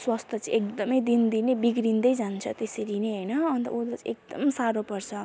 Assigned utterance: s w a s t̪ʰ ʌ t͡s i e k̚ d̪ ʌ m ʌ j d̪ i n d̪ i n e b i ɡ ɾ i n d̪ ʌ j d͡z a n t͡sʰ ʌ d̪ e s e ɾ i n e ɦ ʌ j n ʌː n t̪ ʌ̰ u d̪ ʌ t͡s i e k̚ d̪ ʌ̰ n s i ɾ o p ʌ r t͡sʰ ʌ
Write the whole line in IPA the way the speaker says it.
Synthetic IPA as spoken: s w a s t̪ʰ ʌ t͡s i e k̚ d̪ ʌ m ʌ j d̪ i n d̪ i n e b i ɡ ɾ i n d̪ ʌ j d͡z a n t͡sʰ ʌ t̪ e s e ɾ i n e ɦ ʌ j n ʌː n t̪ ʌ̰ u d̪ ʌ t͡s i e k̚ d̪ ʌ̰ m s a ɾ o p ʌ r t͡sʰ ʌ